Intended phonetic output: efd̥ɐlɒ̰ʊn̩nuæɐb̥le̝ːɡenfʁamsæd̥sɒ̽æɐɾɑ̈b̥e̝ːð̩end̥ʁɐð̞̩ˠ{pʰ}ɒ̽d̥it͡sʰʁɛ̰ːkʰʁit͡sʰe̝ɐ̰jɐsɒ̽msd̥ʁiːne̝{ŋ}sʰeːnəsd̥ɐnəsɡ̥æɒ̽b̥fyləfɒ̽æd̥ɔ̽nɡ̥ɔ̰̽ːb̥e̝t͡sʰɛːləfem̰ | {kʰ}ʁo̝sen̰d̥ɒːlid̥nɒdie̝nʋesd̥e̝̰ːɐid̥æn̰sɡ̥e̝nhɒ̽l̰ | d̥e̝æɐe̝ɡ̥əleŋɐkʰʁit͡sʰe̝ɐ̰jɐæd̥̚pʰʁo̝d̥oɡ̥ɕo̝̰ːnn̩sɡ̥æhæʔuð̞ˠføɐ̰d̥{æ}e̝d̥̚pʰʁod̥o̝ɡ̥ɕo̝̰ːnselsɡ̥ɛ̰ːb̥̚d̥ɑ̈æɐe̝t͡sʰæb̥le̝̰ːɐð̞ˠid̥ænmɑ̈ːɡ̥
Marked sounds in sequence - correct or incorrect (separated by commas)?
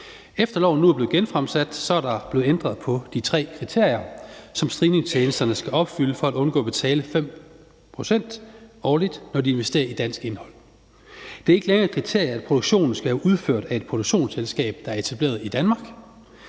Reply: correct, correct, incorrect, correct